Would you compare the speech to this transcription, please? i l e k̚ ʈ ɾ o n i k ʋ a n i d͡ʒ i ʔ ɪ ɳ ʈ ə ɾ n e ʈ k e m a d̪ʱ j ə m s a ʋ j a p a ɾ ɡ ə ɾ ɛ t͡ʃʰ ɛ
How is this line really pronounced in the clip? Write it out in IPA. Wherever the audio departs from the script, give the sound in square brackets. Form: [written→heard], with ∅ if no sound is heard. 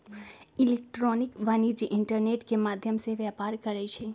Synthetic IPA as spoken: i l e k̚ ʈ ɾ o n i k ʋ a n i d͡ʒ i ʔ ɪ ɳ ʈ ə ɾ n e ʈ k e m a d̪ʱ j ə m s [a→e] ʋ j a p a ɾ [ɡ→k] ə ɾ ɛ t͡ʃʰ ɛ